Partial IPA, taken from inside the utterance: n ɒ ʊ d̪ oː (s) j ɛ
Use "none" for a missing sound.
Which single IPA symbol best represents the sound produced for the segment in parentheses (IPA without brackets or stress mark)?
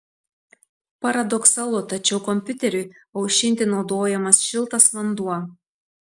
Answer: none